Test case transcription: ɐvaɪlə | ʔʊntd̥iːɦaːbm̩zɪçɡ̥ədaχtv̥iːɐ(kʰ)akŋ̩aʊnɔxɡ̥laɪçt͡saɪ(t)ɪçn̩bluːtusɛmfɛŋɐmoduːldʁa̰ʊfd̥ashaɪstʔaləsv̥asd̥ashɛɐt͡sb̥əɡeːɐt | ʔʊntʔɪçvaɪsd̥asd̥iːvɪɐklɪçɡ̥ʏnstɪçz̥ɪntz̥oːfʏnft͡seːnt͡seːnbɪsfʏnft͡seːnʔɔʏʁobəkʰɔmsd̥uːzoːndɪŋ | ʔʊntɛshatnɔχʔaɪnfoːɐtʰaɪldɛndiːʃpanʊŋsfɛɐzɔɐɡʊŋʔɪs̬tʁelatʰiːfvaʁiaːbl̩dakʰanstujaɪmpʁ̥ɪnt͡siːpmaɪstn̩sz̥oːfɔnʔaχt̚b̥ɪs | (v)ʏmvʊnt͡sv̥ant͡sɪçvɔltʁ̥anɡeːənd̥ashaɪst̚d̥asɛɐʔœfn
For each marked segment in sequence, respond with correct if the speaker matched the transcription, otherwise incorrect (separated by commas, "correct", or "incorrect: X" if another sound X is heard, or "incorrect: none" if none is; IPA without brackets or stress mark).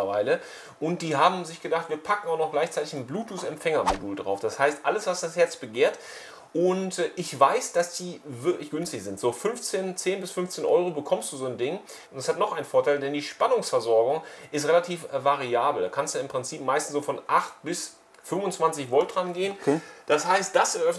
incorrect: pʰ, correct, incorrect: f